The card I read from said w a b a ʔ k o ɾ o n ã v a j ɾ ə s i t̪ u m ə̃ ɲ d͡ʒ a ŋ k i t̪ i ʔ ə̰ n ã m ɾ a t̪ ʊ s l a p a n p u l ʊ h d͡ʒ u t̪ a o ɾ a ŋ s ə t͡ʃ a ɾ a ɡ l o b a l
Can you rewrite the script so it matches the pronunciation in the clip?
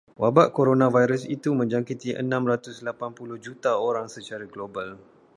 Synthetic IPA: w a b a ʔ k o ɾ o n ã v a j ɾ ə s i t̪ u m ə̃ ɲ d͡ʒ a ŋ k i t̪ i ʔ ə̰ n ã m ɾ a t̪ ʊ s l a p a n p u l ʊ h d͡ʒ u t̪ a o ɾ a ŋ s ə t͡ʃ a ɾ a ɡ l o b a l